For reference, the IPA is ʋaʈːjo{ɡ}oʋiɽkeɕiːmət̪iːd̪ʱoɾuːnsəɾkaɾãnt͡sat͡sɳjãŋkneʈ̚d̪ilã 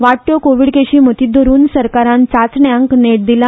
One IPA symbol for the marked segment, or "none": k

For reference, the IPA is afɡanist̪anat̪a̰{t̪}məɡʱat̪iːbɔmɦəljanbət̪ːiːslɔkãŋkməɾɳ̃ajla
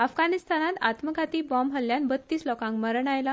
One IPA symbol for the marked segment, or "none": t̪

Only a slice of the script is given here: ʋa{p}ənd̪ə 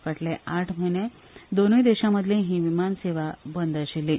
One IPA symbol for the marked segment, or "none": b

